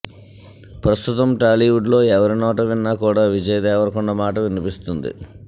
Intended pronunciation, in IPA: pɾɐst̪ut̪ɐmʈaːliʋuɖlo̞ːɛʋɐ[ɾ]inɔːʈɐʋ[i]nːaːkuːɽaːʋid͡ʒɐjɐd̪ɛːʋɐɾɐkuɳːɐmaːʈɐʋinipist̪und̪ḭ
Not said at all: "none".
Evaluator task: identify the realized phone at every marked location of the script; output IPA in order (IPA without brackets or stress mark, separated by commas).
ɾ, i